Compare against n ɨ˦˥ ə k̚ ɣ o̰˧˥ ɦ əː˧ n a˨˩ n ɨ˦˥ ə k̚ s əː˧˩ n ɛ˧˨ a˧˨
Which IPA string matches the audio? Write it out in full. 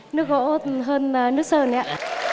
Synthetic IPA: n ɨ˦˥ ə k̚ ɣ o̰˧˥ ɦ əː˧ n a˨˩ n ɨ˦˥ ə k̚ s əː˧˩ n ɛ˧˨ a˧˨